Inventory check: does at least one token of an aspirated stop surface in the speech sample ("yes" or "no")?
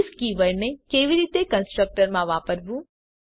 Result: no